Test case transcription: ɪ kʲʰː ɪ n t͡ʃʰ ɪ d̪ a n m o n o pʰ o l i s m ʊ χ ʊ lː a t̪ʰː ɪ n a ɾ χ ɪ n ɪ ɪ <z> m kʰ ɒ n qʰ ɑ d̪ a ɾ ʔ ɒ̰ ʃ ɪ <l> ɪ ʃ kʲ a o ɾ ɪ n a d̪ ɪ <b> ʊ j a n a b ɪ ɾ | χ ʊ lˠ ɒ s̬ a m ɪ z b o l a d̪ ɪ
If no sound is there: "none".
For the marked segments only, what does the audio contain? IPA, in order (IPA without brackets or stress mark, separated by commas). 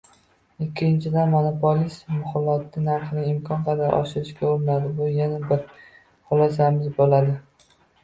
none, ɾ, b